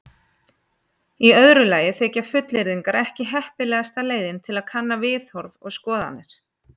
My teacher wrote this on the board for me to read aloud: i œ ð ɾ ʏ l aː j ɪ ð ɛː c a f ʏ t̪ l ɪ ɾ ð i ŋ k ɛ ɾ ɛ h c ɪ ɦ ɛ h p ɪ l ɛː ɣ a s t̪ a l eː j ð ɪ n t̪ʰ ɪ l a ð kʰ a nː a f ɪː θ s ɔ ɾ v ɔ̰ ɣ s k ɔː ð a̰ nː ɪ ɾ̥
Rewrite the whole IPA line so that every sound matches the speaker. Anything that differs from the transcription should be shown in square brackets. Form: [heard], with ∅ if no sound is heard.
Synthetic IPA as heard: i œ ð ɾ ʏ l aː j ɪ [θ] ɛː c a f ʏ t̪ l ɪ ɾ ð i ŋ k [a] ɾ ɛ h c ɪ ɦ ɛ h p ɪ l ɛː ɣ a s t̪ a l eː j ð ɪ n t̪ʰ ɪ l a ð kʰ a nː a [v] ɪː θ [h] ɔ ɾ v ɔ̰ ɣ s k ɔː ð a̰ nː ɪ ɾ̥